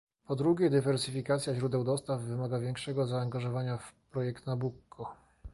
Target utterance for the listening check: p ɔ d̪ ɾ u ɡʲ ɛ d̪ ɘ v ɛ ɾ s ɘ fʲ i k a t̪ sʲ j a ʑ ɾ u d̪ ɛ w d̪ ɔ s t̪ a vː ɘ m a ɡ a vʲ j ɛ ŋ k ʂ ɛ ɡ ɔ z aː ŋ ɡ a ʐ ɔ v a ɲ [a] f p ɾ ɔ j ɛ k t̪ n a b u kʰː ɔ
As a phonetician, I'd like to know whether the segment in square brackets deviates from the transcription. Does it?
no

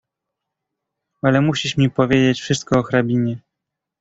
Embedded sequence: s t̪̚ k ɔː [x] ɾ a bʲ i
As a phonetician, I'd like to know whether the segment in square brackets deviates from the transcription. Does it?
no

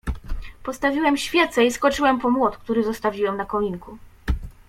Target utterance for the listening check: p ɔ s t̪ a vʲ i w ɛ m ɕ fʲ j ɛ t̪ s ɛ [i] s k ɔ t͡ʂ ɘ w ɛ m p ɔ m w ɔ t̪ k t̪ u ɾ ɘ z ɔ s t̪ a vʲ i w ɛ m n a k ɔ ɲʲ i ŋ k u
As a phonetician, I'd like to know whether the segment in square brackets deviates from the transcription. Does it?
no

